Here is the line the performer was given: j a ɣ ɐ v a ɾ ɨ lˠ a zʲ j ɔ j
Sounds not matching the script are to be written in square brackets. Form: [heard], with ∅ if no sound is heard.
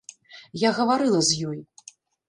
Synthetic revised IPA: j a ɣ ɐ v a ɾ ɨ lˠ [ɐ] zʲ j ɔ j